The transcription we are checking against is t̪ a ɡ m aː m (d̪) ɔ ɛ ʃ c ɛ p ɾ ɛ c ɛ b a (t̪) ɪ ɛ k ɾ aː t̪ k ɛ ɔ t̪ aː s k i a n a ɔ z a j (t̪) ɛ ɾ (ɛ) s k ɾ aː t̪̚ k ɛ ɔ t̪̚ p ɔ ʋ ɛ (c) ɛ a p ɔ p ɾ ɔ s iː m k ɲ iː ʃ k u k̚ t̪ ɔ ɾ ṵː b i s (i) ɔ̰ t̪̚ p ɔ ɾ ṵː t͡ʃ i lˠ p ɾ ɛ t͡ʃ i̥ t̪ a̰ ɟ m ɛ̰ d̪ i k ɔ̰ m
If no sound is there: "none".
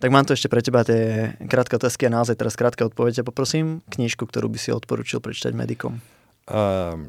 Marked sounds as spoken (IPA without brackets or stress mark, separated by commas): t̪, t̪, t̪, a, ɟ, i